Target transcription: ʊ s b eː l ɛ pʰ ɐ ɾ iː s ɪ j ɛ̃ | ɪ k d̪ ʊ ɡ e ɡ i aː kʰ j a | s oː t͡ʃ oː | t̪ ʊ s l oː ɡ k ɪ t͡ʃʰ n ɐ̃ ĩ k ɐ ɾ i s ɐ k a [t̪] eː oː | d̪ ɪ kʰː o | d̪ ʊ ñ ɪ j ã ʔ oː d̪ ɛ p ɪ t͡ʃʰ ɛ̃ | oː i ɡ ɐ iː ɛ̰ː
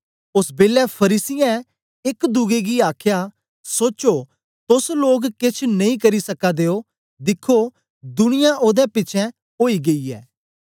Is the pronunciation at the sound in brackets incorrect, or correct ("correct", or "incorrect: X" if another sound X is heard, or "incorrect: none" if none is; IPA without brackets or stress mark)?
incorrect: d̪